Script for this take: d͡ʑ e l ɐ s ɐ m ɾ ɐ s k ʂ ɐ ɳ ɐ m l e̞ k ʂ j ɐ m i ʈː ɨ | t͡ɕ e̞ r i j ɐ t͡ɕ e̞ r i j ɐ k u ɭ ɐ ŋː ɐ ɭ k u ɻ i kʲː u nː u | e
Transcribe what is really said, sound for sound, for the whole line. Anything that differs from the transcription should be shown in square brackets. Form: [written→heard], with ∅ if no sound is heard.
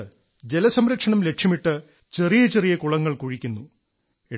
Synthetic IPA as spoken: d͡ʑ e l ɐ s ɐ m ɾ ɐ [s→∅] k ʂ ɐ ɳ ɐ m l e̞ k ʂ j ɐ m i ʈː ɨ | t͡ɕ e̞ r i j ɐ t͡ɕ e̞ r i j ɐ k u ɭ ɐ ŋː ɐ ɭ k u ɻ i kʲː u nː u | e